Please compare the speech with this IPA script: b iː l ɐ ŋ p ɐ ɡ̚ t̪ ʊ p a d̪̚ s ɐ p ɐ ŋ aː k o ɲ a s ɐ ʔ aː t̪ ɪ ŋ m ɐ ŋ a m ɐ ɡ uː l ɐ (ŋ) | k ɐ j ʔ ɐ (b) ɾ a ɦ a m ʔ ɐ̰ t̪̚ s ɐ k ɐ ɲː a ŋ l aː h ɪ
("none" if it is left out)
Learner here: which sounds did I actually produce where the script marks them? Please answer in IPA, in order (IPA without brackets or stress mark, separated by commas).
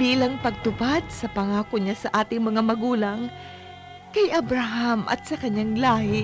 ŋ, b